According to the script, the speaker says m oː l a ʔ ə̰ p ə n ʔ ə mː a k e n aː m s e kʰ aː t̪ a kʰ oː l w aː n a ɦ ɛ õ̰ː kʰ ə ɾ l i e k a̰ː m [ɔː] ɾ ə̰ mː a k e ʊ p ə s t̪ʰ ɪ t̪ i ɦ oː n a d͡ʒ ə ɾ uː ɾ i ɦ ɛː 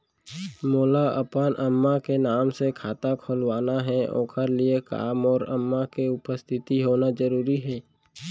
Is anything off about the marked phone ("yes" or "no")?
no